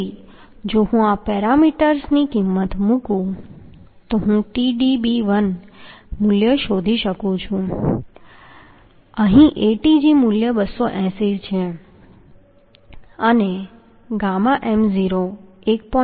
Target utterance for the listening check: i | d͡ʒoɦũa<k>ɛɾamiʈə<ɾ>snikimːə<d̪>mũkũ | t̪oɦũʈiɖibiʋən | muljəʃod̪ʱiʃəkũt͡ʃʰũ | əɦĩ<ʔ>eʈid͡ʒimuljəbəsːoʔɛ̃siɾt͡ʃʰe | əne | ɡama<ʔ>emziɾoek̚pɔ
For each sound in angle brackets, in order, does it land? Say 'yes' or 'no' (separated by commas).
no, yes, no, yes, yes